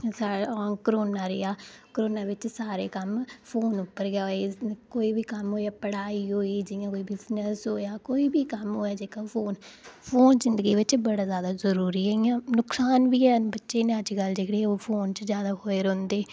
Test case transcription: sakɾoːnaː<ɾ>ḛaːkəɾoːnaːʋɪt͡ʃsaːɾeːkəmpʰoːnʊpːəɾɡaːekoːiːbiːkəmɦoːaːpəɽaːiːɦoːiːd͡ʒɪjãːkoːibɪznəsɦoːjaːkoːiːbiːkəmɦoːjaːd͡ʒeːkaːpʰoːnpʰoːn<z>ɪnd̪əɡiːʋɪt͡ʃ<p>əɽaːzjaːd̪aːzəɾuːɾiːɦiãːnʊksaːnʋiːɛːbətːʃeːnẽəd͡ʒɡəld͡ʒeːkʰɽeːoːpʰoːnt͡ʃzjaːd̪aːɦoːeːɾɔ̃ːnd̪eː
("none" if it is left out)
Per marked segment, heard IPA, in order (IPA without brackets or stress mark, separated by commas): ɾ, z, b